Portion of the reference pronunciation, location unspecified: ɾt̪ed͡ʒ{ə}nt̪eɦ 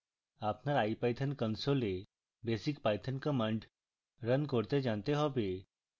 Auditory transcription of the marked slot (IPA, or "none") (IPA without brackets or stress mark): a